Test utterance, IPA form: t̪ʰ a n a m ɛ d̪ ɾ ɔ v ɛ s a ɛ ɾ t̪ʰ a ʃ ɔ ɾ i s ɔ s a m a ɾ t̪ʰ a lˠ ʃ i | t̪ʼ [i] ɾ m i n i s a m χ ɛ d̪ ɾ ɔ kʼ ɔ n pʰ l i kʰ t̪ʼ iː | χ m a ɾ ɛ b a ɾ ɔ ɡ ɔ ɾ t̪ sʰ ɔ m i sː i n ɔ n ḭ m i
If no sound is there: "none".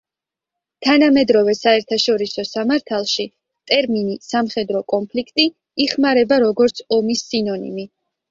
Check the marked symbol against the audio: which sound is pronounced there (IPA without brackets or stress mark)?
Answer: ɛ